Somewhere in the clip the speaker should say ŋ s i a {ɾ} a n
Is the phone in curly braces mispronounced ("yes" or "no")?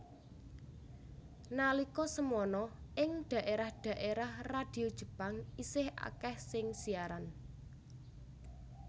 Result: no